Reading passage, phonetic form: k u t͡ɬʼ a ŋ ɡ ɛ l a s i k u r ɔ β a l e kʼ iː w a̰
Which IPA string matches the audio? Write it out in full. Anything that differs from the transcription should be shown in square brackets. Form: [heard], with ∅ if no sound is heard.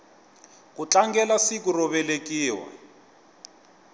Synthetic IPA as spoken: k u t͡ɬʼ a ŋ ɡ ɛ l a s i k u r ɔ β [ɛ] l e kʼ iː w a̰

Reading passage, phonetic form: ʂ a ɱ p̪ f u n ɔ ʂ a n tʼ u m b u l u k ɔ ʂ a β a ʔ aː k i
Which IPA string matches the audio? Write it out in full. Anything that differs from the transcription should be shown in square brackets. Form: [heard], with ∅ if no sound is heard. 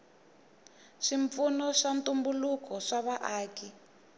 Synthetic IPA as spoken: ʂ [i] ɱ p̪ f u n ɔ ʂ a n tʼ u m b u l u k ɔ ʂ a β a ʔ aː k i

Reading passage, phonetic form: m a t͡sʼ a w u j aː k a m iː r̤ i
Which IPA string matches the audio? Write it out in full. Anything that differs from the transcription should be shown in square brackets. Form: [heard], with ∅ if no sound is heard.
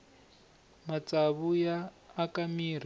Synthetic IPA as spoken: m a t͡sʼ a [β] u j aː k a m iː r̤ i

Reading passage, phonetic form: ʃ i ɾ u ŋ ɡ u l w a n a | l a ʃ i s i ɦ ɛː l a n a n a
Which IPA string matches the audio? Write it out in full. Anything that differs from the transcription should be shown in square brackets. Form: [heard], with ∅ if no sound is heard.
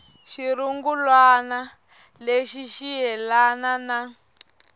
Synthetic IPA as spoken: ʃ i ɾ u ŋ ɡ u l w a n a | l [e] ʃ i [ʃ] i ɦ [ɛ] l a n a n a

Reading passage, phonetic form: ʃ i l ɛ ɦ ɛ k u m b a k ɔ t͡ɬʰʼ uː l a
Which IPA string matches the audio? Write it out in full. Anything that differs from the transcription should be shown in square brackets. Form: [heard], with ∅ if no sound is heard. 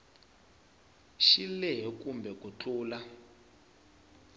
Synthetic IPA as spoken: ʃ i l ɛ ɦ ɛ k u m b [ɛ] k [u] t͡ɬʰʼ uː l a

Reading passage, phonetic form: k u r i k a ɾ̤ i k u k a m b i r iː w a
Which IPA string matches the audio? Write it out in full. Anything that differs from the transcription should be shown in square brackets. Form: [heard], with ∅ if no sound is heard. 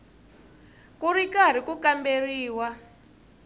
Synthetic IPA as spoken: k u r i k a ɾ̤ i k u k a m b [e] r iː w a

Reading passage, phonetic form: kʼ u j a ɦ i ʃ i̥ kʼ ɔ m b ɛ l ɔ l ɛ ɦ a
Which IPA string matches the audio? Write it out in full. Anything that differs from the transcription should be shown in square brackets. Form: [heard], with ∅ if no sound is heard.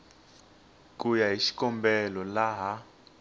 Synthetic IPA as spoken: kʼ u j a ɦ i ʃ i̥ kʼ ɔ m b ɛ l ɔ l [a] ɦ a

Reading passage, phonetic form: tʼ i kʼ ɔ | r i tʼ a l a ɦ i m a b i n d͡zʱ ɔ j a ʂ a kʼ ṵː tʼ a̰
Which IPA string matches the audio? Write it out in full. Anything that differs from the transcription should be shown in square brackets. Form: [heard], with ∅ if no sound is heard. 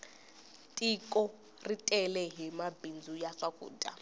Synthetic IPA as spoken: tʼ i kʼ ɔ | r i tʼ [ɛ] l [ɛ] ɦ i m a b i n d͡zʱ [u] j a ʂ a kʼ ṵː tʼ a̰

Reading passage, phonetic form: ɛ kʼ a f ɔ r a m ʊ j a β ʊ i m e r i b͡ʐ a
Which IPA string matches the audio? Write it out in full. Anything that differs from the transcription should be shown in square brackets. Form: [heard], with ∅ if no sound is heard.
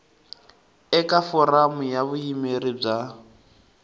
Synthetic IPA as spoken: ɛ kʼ a f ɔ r a m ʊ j a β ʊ i m e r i b͡ʐ a

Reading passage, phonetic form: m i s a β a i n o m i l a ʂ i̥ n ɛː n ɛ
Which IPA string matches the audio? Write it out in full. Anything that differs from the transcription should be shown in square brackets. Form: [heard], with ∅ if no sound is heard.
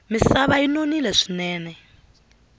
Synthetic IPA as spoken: m i s a β a i n o [n] i l [ɛ] ʂ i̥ n ɛː n ɛ

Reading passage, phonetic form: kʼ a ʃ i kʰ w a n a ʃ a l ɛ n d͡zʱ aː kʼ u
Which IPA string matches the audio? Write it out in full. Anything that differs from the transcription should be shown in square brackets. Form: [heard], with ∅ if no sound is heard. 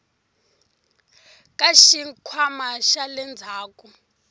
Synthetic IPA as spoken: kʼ a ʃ i kʰ w a [m] a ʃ a l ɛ n d͡zʱ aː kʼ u

